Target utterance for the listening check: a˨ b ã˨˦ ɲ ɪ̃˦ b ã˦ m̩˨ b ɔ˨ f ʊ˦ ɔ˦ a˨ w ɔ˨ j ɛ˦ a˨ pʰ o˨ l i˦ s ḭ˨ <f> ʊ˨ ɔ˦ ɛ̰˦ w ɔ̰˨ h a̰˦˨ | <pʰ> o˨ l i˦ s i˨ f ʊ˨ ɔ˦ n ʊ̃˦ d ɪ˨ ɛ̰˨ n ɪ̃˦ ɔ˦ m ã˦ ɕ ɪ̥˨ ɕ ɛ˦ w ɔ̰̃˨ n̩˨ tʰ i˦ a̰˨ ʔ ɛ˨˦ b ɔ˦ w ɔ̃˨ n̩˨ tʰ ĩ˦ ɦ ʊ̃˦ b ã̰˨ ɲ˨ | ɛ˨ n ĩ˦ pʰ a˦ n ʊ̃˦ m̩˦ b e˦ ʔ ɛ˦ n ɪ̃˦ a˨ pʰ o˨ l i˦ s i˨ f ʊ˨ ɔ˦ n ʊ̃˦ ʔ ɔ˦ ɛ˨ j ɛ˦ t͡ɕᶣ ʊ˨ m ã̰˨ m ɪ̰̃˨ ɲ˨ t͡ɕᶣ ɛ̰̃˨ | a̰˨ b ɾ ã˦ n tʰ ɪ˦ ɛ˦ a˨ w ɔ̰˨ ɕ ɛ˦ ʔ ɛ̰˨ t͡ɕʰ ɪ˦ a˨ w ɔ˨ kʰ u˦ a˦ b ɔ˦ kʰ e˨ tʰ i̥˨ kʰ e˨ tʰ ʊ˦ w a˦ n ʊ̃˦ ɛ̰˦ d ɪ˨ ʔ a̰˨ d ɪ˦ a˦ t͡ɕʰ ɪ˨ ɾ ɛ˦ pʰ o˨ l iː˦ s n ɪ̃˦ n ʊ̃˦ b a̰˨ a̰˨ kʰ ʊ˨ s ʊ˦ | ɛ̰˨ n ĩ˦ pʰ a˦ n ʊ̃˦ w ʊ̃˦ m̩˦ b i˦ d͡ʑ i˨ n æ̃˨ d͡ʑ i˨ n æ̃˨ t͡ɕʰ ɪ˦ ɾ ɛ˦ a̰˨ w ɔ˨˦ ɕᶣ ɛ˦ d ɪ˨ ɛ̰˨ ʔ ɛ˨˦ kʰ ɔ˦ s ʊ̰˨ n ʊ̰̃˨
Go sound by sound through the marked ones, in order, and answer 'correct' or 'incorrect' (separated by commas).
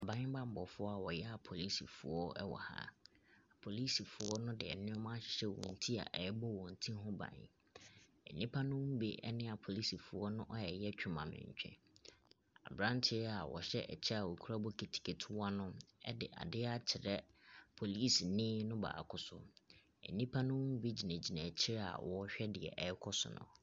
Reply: correct, correct